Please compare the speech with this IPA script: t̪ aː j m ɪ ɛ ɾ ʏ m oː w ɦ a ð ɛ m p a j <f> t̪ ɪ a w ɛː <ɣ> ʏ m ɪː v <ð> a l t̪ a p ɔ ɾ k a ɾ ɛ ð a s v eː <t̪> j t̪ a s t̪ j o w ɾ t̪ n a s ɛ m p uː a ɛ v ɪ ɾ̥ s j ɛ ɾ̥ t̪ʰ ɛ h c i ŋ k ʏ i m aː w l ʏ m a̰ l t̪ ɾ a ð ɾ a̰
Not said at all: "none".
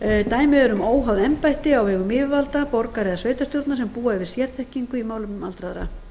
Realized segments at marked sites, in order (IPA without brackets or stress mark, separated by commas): h, ɣ, v, none